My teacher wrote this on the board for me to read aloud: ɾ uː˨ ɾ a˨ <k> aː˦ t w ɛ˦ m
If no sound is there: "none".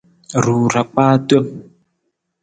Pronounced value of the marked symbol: k͡p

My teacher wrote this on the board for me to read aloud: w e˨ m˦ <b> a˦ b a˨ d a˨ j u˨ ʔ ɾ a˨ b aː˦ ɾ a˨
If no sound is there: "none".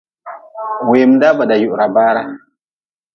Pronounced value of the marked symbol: d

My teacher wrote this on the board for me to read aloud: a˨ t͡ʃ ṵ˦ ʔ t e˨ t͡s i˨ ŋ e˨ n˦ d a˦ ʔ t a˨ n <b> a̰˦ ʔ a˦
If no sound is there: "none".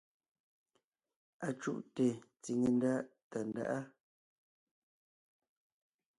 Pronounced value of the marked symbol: d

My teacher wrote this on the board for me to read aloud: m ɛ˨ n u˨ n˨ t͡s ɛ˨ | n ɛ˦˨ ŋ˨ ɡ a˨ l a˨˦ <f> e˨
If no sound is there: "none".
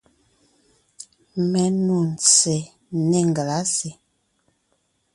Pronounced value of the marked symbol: s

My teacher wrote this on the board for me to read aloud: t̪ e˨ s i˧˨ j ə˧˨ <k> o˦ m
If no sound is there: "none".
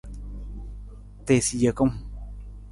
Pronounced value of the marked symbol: k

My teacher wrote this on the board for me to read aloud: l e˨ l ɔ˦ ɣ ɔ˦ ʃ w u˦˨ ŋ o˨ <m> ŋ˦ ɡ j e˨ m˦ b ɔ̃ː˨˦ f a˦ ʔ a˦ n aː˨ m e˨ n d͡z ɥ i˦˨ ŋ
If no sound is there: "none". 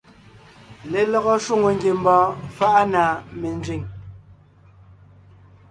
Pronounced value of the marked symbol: none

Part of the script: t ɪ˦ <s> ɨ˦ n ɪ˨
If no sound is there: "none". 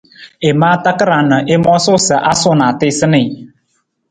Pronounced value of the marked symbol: s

